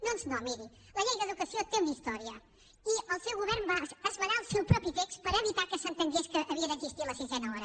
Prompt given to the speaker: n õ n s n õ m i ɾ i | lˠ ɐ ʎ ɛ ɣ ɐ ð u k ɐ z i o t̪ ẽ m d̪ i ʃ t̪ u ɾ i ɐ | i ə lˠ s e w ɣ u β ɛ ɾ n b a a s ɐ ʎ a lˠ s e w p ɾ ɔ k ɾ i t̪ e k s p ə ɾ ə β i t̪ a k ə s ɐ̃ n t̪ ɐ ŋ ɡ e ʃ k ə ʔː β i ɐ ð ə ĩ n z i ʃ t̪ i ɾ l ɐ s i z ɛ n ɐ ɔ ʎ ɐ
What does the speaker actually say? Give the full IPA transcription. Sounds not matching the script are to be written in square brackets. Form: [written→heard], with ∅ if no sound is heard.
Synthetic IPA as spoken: n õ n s n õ m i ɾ i | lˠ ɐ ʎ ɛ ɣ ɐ ð u k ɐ [z→s] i o t̪ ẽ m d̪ i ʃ t̪ [u→ɔ] ɾ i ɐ | i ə lˠ s e w ɣ u β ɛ ɾ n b a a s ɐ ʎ a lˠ s e w p ɾ ɔ [k→p] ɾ i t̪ e k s p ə ɾ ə β i t̪ a k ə s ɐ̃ n t̪ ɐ ŋ ɡ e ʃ k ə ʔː β i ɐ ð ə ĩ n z i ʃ t̪ i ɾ l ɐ s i z ɛ n ɐ ɔ [ʎ→ɾ] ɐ

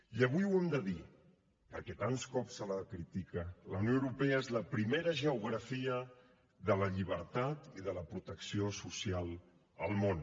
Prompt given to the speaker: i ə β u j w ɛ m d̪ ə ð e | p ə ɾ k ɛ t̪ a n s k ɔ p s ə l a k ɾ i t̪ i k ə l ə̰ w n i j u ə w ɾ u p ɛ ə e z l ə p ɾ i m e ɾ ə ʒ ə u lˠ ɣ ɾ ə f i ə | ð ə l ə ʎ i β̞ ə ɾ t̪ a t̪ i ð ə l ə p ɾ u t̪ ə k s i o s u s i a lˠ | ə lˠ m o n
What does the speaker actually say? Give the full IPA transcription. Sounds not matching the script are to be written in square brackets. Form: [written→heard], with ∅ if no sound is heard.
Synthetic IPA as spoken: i ə β u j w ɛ m d̪ ə ð [e→i] | p ə ɾ k ɛ t̪ a n s k ɔ p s ə l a k ɾ i t̪ i k ə l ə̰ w n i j [u→o] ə w ɾ u p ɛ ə e z l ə p ɾ i m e ɾ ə ʒ ə u [lˠ→∅] ɣ ɾ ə f i ə | ð ə l ə ʎ i β̞ ə ɾ t̪ a t̪ i ð ə l ə p ɾ u t̪ ə k s i o s u s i a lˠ | ə lˠ m o n

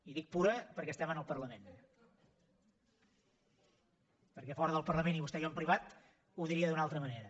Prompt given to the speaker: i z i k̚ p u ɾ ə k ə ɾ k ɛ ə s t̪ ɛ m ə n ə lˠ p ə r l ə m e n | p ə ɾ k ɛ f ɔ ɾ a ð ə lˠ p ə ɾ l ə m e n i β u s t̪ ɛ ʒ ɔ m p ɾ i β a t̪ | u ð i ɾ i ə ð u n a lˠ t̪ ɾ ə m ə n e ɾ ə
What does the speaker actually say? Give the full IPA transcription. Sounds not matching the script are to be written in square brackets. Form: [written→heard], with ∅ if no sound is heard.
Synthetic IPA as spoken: i [z→ð] i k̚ p u ɾ ə [k→p] ə ɾ k ɛ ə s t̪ ɛ m ə n ə lˠ p ə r l ə m e n | p ə ɾ k ɛ f ɔ ɾ [a→ə] ð ə lˠ p ə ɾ l ə m e n i β u s t̪ ɛ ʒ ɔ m p ɾ i β a t̪ | u ð i ɾ i ə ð u n a lˠ t̪ ɾ ə m ə n e ɾ ə

